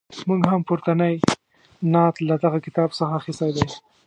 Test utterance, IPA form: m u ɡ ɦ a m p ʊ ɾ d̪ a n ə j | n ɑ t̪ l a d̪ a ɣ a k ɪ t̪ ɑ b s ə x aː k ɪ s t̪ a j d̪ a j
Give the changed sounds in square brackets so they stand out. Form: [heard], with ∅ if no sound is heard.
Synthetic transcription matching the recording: m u ɡ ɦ a m p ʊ ɾ [t̪] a n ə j | n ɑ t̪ l a d̪ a ɣ a k ɪ t̪ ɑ b s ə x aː [x] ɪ s t̪ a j d̪ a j